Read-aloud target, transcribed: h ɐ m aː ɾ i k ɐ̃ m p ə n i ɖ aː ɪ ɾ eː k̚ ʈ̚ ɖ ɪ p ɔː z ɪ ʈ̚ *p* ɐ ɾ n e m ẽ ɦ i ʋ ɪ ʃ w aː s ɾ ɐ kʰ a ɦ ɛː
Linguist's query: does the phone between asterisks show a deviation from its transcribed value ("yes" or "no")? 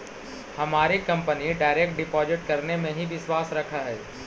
yes